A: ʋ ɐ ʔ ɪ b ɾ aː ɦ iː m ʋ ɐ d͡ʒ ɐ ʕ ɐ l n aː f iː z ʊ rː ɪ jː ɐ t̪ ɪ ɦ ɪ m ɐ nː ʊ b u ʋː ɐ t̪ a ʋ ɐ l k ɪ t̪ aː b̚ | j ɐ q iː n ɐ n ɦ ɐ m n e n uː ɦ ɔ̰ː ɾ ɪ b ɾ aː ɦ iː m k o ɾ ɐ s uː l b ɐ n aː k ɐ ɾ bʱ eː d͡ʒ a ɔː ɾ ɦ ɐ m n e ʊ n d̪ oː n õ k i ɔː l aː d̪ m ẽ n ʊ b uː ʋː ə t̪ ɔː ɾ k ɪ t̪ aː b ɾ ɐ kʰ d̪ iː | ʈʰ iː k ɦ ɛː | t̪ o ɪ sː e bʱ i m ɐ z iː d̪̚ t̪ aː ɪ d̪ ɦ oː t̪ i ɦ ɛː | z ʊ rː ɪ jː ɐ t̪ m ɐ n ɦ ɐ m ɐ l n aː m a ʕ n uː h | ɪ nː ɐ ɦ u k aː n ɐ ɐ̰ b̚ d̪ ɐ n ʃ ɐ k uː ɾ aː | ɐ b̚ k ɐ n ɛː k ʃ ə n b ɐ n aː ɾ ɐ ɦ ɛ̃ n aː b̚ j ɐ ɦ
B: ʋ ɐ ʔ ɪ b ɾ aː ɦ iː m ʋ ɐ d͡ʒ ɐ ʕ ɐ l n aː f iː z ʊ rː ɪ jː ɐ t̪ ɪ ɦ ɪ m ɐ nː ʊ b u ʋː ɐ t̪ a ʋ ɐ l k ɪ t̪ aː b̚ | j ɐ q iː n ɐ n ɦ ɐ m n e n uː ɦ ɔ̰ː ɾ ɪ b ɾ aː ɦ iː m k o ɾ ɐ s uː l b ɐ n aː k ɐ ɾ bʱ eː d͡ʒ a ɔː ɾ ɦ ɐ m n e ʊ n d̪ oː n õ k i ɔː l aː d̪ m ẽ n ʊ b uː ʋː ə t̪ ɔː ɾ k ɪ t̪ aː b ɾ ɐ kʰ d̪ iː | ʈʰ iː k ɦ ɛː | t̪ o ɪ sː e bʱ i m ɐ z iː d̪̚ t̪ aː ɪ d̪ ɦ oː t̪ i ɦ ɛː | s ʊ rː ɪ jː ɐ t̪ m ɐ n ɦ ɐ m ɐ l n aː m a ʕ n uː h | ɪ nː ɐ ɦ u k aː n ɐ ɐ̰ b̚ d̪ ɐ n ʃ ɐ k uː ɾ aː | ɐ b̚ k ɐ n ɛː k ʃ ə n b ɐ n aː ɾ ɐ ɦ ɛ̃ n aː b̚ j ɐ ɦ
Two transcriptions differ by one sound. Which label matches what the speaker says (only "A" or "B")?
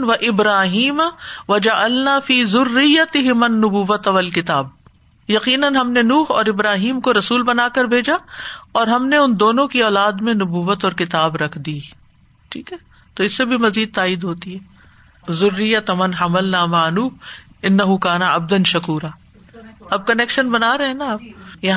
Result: A